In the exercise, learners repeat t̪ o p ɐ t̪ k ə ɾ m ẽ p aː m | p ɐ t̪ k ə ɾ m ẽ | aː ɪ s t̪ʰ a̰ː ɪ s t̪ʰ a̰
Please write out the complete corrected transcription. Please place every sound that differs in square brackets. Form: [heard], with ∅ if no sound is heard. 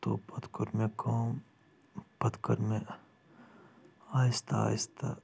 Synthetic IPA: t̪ o p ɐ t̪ k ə ɾ m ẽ [k] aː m | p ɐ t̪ k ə ɾ m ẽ | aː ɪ s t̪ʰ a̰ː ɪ s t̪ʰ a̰